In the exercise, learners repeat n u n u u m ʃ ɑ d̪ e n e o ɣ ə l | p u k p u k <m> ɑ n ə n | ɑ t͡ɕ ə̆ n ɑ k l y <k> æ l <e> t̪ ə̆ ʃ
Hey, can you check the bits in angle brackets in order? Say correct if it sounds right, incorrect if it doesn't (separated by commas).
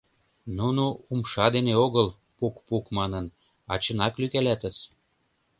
correct, correct, incorrect